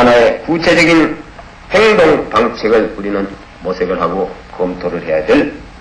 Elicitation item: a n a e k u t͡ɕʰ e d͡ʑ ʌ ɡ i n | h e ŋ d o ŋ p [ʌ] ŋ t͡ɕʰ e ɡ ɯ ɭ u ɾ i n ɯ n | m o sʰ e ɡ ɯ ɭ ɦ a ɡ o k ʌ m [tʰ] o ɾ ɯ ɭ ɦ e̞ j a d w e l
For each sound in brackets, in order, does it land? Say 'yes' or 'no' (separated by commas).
no, yes